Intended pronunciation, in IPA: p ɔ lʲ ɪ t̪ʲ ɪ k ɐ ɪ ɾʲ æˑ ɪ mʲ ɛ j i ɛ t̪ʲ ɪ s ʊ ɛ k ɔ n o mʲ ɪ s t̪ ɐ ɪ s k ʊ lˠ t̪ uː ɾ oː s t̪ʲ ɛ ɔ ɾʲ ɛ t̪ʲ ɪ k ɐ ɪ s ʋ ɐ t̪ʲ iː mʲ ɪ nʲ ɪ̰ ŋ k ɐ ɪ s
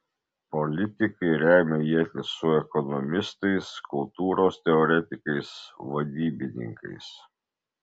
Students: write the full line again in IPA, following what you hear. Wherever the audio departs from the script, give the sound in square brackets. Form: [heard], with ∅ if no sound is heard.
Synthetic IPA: p ɔ lʲ ɪ t̪ʲ ɪ k ɐ ɪ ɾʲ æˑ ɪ mʲ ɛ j i ɛ t̪ʲ ɪ s ʊ ɛ k ɔ n [ɔ] mʲ ɪ s t̪ ɐ ɪ s k ʊ lˠ t̪ uː ɾ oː s t̪ʲ ɛ ɔ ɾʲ ɛ t̪ʲ ɪ k ɐ ɪ s ʋ ɐ [d̪ʲ] iː [bʲ] ɪ nʲ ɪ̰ ŋ k ɐ ɪ s

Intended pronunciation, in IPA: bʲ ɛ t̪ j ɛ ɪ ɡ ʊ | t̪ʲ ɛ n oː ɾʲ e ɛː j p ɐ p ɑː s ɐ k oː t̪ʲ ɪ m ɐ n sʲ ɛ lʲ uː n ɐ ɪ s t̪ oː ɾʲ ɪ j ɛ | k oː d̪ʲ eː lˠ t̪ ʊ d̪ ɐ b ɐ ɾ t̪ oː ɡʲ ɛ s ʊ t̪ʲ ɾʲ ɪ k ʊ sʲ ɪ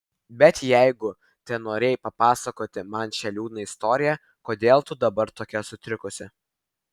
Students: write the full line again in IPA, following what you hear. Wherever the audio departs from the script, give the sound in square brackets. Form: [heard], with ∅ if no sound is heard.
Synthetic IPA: bʲ ɛ t̪ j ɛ ɪ ɡ ʊ | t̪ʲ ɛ n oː ɾʲ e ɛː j p ɐ p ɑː s ɐ k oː t̪ʲ ɪ m ɐ n [ʃʲ] ɛ lʲ uː n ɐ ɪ s t̪ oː ɾʲ ɪ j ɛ | k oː d̪ʲ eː lˠ t̪ ʊ d̪ ɐ b ɐ ɾ t̪ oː [kʲ] ɛ s ʊ t̪ʲ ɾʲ ɪ k ʊ sʲ ɪ

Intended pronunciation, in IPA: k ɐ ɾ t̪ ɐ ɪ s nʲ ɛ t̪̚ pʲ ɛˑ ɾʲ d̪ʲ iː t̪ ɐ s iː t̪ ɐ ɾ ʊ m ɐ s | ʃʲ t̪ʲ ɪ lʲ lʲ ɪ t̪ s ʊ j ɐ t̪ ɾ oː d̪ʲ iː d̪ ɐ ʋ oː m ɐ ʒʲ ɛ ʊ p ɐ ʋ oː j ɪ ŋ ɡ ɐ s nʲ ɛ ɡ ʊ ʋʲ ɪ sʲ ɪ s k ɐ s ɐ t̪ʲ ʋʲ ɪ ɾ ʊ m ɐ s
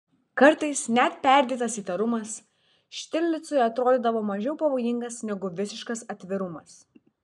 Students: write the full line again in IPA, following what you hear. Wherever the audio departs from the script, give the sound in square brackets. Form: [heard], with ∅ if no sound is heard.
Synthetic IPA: k ɐ ɾ t̪ ɐ ɪ s nʲ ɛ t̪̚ pʲ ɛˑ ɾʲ d̪ʲ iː t̪ ɐ s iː t̪ ɐ ɾ ʊ m ɐ s | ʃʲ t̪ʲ ɪ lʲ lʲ ɪ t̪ s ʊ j ɐ t̪ ɾ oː d̪ʲ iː d̪ ɐ ʋ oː m ɐ ʒʲ ɛ ʊ p ɐ ʋ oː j ɪ ŋ ɡ ɐ s nʲ ɛ ɡ ʊ ʋʲ ɪ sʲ ɪ [ʃ] k ɐ s ɐ t̪ʲ ʋʲ ɪ ɾ ʊ m ɐ s

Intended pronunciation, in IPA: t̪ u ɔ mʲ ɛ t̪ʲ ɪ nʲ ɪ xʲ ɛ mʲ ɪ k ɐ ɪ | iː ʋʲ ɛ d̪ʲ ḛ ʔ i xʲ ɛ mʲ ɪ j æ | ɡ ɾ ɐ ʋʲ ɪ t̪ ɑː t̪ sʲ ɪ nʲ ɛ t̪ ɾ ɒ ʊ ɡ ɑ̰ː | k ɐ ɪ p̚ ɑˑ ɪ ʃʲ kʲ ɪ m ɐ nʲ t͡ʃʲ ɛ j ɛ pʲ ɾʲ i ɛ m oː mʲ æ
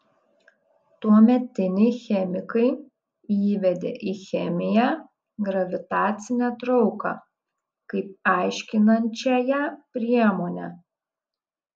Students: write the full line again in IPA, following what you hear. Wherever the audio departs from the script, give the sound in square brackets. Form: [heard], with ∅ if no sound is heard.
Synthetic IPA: t̪ u ɔ mʲ ɛ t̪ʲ ɪ nʲ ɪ xʲ ɛ mʲ ɪ k ɐ ɪ | iː ʋʲ ɛ d̪ʲ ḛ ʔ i xʲ ɛ mʲ ɪ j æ | ɡ ɾ ɐ ʋʲ ɪ t̪ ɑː t̪ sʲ ɪ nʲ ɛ t̪ ɾ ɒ ʊ [k] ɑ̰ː | k ɐ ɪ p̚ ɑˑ ɪ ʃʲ kʲ ɪ [n] ɐ nʲ t͡ʃʲ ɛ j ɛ pʲ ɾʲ i ɛ m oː [nʲ] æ

